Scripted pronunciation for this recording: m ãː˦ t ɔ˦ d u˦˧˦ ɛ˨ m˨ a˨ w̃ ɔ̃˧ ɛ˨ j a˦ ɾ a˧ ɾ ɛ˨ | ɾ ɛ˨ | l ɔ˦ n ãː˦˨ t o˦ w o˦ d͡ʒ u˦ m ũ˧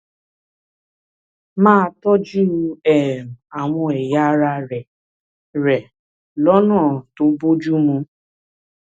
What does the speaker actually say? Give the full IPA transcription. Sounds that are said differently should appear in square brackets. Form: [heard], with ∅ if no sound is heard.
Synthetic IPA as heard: m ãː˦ t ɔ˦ [d͡ʒ] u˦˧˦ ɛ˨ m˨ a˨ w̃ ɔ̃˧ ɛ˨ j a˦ ɾ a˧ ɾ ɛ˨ | ɾ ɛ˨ | l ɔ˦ n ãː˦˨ t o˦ [b] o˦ d͡ʒ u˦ m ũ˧